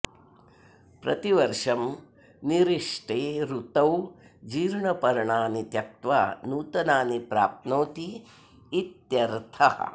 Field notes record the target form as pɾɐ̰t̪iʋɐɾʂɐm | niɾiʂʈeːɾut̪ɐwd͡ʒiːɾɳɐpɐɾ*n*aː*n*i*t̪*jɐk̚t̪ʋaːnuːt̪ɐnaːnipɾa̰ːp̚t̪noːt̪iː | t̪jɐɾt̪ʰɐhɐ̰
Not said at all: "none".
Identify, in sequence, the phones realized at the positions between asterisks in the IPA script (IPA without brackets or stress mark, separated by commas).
ɳ, n, t̪